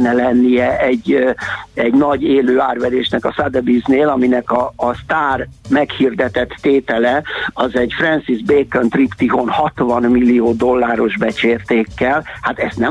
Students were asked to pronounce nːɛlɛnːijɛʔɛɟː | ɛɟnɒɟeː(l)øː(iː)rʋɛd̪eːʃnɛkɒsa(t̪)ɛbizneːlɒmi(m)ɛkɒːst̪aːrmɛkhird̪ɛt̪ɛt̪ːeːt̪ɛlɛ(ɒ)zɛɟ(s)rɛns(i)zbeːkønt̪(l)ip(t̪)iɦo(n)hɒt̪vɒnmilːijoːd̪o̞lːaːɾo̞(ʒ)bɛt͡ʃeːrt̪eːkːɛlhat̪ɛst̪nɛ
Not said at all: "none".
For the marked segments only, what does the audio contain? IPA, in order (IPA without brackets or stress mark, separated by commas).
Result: l, aː, d̪, n, ɒ, f, i, r, t̪, n, ʒ